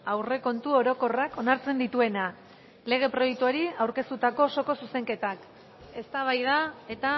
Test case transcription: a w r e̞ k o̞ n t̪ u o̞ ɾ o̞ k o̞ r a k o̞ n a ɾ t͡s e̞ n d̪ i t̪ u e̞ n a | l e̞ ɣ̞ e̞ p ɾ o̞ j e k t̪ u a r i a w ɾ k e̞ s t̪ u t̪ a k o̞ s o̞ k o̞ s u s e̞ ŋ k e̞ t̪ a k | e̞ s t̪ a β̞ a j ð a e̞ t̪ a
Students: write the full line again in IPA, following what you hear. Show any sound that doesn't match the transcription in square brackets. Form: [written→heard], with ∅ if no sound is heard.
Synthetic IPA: a w r e̞ k o̞ n t̪ u o̞ ɾ o̞ k o̞ r a k o̞ n a ɾ t͡s e̞ n d̪ i t̪ u e̞ n a | l e̞ ɣ̞ e̞ p ɾ o̞ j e k t̪ u a [r→ɾ] i a w ɾ k e̞ s t̪ u t̪ a k o̞ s o̞ k o̞ s u s e̞ ŋ k e̞ t̪ a k | e̞ s t̪ a β̞ a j ð a e̞ t̪ a

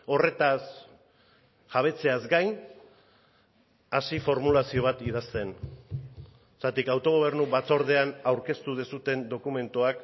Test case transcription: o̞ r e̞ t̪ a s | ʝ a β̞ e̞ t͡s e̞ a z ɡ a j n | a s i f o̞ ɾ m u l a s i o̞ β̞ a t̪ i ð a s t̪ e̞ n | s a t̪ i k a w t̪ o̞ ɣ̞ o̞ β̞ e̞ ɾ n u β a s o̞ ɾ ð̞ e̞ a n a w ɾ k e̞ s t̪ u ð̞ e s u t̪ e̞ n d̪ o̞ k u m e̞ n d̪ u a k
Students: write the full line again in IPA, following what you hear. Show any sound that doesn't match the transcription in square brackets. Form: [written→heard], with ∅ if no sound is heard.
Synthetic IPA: o̞ r e̞ t̪ a s | ʝ a β̞ e̞ t͡s e̞ a z ɡ a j n | a s i f o̞ ɾ m u l a s i o̞ β̞ a t̪ i ð a s t̪ e̞ n | s a t̪ i k a w t̪ o̞ ɣ̞ o̞ β̞ e̞ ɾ n u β a [s→t͡s] o̞ ɾ ð̞ e̞ a n a w ɾ k e̞ s t̪ u ð̞ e s u t̪ e̞ n d̪ o̞ k u m e̞ n [d̪→t̪] u a k

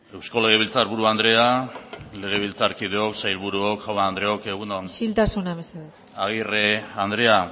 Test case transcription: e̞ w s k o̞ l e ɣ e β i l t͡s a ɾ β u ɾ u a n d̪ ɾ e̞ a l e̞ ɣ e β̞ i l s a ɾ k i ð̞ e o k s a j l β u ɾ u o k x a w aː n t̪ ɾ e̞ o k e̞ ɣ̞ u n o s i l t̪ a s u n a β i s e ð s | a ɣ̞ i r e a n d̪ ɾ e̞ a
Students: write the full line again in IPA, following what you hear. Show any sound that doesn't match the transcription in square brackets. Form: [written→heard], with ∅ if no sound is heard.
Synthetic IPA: e̞ w s k o̞ l e ɣ e β i l t͡s a ɾ β u ɾ u a n d̪ ɾ e̞ a l e̞ ɣ e β̞ i l [s→t͡s] a ɾ k i ð̞ e o k s a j l β u ɾ u o k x a w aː n [t̪→d̪] ɾ e̞ o k e̞ ɣ̞ u n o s i l t̪ a s u n a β [i→e] s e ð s | a ɣ̞ i r e a n d̪ ɾ e̞ a

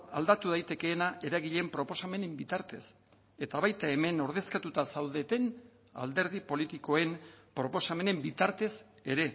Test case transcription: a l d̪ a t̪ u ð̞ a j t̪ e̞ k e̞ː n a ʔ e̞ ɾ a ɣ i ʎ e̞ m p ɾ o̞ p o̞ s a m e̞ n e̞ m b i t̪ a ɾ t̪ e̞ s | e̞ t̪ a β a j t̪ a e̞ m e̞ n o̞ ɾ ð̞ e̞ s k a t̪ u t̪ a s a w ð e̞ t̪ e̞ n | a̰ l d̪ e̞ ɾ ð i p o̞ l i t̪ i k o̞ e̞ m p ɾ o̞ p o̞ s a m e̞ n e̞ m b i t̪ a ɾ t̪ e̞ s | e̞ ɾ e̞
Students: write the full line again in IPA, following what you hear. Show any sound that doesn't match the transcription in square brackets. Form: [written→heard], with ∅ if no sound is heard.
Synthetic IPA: a l d̪ a t̪ u ð̞ a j t̪ e̞ k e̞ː n a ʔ e̞ ɾ a ɣ i ʎ e̞ m p ɾ o̞ p o̞ s a m e̞ n e̞ m b i t̪ a ɾ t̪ e̞ s | e̞ t̪ a β a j t̪ a e̞ m e̞ n o̞ ɾ ð̞ e̞ s k a t̪ u t̪ a s a w ð e̞ t̪ e̞ n | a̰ l d̪ e̞ ɾ ð i p o̞ l i t̪ i k o̞ e̞ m p ɾ o̞ p o̞ s a m e̞ n e̞ m b i t̪ a ɾ t̪ e̞ s | e̞ ɾ e̞

